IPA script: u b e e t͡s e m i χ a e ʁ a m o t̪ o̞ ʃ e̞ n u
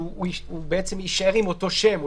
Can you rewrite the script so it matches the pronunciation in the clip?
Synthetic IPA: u b e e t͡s e m i ʃ a e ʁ i m o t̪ o̞ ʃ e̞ m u

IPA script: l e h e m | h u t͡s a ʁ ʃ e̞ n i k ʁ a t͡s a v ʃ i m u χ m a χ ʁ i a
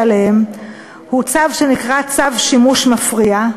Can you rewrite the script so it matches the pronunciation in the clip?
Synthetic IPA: l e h e m | h u t͡s a v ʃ e̞ n i k ʁ a t͡s a v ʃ i m u ʃ m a f ʁ i a

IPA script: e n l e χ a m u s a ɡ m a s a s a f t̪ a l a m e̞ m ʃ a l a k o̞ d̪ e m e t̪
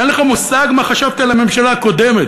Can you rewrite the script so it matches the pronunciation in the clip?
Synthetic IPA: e n l e χ a m u s a ɡ m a χ a ʃ a v t̪ a l a m e̞ m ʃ a l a k o̞ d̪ e m e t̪

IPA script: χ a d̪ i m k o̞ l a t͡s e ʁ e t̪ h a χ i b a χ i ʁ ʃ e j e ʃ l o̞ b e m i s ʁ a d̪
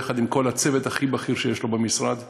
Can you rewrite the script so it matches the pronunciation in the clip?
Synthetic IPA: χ a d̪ i m k o̞ l a t͡s e v e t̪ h a χ i b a χ i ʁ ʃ e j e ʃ l o̞ b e m i s ʁ a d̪

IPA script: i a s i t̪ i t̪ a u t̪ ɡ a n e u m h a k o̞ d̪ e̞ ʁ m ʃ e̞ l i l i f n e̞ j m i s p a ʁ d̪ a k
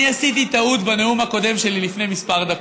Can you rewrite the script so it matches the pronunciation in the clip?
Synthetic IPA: i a s i t̪ i t̪ a u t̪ b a n e u m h a k o̞ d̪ e̞ m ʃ e̞ l i l i f n e̞ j m i s p a ʁ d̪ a k

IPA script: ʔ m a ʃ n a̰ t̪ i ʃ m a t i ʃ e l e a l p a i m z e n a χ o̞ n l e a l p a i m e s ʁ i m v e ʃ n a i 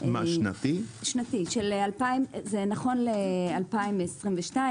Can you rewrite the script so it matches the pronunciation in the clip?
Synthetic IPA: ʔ m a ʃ n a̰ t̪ i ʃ n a t i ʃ e l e a l p a i m z e n a χ o̞ n l e a l p a i m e s ʁ i m v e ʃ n a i

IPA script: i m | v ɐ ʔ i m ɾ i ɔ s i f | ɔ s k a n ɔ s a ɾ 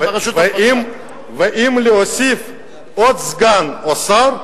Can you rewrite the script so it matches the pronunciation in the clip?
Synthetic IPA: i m | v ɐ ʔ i m l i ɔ s i f | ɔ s ɡ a n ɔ s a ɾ

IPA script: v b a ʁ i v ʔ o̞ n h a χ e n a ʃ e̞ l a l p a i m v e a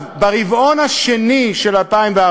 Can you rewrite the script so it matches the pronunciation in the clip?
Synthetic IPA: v b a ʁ i v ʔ o̞ n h a ʃ e n i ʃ e̞ l a l p a i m v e a

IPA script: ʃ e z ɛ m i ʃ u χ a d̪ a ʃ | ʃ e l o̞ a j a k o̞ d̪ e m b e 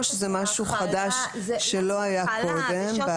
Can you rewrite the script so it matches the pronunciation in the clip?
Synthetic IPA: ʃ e z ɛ m a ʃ u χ a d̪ a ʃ | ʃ e l o̞ a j a k o̞ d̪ e m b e

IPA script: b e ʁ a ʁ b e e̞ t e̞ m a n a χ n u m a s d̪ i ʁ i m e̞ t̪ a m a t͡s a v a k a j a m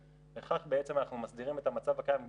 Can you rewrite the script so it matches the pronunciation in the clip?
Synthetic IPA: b e χ a χ b e e̞ t͡s e̞ m a n a χ n u m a s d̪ i ʁ i m e̞ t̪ a m a t͡s a v a k a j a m

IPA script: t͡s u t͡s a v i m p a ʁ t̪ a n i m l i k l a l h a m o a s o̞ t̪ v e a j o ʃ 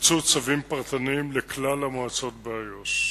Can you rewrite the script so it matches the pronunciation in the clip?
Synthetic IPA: t͡s u t͡s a v i m p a ʁ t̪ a n i m l e k l a l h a m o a t͡s o̞ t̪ b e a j o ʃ

